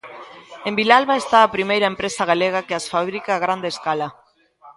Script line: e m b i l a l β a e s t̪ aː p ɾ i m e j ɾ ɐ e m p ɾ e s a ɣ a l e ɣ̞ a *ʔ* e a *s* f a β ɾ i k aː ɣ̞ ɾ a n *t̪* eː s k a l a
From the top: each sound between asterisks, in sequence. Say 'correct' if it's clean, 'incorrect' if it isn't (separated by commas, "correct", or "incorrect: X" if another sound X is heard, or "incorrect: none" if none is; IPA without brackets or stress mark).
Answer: incorrect: k, correct, incorrect: d̪